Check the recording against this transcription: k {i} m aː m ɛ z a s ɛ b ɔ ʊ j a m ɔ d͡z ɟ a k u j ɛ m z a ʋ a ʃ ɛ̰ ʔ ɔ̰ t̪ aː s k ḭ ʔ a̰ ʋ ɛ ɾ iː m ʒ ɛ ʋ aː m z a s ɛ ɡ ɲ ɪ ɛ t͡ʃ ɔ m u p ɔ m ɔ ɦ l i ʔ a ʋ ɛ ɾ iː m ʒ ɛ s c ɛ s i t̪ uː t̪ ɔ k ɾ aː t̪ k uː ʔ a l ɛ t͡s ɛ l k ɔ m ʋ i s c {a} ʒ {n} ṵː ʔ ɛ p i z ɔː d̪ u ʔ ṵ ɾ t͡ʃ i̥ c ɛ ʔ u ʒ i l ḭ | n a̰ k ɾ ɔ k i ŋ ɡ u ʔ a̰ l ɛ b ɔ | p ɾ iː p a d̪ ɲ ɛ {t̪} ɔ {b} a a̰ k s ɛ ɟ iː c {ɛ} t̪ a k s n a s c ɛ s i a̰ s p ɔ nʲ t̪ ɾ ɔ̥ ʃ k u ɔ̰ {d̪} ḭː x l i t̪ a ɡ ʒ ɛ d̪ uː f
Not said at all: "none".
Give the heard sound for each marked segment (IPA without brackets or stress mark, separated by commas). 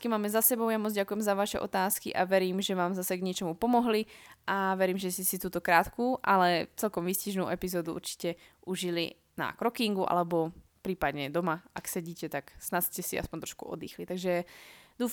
i, i, n, d̪, m, ɛ, d̪